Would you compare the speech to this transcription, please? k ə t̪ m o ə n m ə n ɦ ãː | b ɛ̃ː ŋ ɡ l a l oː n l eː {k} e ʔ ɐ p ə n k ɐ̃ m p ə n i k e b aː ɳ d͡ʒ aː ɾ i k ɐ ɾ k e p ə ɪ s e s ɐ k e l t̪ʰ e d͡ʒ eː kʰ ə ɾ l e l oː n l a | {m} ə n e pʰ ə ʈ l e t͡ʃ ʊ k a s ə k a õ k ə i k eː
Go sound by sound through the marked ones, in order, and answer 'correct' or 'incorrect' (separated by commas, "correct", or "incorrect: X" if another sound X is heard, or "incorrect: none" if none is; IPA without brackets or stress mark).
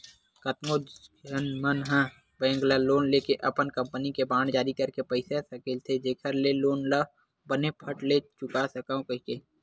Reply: correct, incorrect: b